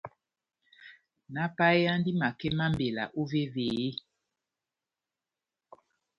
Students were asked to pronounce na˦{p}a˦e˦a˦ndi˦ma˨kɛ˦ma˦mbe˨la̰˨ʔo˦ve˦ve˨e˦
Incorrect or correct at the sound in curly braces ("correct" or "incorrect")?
correct